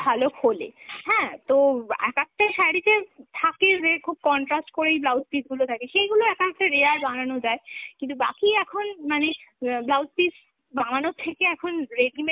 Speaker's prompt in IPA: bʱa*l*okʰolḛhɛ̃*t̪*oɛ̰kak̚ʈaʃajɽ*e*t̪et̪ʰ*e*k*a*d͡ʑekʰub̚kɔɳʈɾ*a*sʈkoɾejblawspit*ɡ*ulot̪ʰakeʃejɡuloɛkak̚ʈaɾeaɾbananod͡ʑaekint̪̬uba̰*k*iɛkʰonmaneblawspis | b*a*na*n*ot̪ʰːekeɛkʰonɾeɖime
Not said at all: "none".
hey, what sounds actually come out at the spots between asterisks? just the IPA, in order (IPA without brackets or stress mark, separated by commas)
l, t̪, i, a, e, a, ɡ, k, a, n